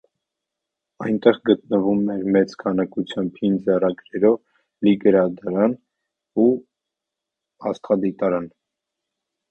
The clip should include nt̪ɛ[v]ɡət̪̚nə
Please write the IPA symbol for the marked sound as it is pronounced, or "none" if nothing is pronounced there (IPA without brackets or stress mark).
ʁ